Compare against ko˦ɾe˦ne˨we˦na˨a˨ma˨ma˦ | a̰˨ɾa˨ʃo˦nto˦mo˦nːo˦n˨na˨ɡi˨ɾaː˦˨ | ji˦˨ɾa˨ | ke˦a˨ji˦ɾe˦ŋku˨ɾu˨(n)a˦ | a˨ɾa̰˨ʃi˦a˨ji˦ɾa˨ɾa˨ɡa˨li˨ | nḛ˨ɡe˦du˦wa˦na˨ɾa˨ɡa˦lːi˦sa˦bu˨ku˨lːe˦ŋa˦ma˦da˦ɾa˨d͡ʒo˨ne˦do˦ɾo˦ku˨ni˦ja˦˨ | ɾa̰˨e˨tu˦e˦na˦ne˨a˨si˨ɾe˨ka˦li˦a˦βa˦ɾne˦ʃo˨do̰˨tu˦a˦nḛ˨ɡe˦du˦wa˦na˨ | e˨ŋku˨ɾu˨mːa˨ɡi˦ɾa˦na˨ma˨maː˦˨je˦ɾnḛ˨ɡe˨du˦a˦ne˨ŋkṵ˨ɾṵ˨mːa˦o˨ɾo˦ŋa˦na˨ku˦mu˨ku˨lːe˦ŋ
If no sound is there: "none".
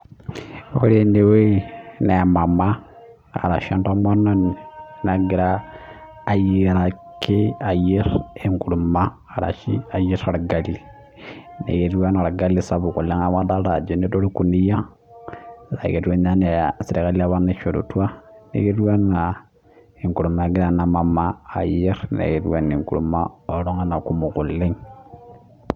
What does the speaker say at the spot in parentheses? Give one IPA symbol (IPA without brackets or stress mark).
m